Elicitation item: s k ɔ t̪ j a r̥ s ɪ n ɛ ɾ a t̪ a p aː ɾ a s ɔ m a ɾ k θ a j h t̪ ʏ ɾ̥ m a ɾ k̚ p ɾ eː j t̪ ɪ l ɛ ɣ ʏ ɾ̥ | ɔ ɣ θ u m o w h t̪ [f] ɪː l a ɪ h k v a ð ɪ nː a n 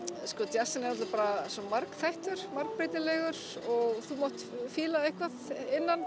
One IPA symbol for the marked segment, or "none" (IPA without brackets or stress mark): f